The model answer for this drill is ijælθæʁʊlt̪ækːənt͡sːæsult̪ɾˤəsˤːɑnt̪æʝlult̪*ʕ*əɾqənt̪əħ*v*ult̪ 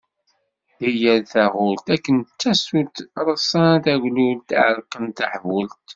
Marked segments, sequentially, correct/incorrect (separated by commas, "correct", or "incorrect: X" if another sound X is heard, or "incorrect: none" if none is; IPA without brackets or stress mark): correct, correct